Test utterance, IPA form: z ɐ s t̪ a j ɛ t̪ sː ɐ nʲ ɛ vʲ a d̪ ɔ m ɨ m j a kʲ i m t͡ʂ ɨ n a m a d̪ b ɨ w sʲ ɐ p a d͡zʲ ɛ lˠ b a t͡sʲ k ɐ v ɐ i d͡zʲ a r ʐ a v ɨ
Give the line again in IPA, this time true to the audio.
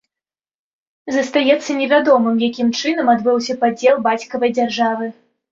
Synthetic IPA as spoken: z ɐ s t̪ a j ɛ t̪ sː ɐ nʲ ɛ vʲ a d̪ ɔ m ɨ m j a kʲ i m t͡ʂ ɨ n ɐ m a d̪ b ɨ w sʲ ɐ p a d͡zʲ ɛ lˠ b a t͡sʲ k ɐ v ɐ j d͡zʲ a r ʐ a v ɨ